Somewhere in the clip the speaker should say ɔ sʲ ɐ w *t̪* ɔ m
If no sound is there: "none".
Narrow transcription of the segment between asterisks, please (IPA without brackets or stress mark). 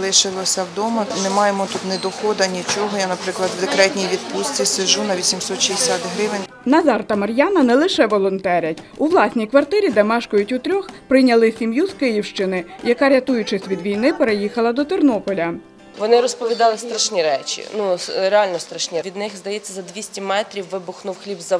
d̪